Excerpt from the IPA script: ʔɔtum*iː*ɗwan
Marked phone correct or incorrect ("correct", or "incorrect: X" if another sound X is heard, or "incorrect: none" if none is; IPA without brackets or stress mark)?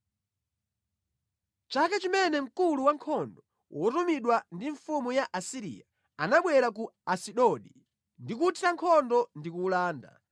incorrect: i